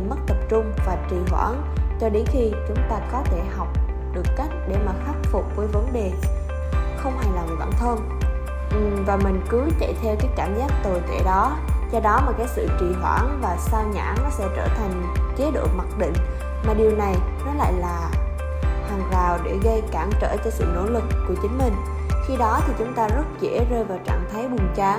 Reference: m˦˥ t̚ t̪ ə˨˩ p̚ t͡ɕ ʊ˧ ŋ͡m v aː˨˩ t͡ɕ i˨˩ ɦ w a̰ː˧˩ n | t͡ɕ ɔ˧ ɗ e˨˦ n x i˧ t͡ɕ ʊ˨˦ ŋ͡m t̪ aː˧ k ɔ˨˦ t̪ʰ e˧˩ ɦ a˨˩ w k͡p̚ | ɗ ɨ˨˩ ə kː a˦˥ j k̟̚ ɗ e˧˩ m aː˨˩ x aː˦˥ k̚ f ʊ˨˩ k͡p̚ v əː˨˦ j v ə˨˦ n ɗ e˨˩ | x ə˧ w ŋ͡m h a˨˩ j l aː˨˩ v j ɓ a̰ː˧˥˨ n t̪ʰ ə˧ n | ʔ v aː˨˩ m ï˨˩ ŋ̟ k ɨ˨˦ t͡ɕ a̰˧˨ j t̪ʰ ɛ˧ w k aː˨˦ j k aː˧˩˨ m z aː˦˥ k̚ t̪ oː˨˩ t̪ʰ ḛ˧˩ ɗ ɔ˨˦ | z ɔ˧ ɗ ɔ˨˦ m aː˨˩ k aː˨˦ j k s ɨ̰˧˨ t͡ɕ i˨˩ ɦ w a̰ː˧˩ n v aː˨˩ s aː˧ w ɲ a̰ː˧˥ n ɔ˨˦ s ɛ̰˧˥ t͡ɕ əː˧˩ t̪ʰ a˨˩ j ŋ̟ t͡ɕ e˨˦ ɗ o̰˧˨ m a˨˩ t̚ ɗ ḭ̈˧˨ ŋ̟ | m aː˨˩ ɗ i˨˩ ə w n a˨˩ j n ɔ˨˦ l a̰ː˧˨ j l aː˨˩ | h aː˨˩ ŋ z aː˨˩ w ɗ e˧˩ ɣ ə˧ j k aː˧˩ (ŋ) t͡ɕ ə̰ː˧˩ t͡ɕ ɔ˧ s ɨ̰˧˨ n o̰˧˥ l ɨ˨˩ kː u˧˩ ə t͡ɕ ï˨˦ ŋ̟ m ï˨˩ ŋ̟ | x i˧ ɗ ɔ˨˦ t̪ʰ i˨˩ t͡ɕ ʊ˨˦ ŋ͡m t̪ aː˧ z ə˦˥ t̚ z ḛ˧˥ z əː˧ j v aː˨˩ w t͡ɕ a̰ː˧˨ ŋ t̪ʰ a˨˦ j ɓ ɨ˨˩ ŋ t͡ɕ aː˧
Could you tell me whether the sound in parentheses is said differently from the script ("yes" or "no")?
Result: yes